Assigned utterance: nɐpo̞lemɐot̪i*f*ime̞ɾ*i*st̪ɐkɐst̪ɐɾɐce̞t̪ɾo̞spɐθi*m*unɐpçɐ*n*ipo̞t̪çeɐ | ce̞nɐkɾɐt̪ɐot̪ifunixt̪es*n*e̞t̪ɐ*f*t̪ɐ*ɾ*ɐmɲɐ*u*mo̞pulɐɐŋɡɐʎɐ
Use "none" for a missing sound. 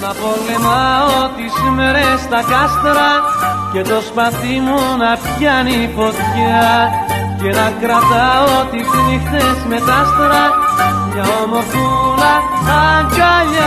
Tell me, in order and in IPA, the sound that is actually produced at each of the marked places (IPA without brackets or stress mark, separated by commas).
s, e, m, n, m, s, ɾ, o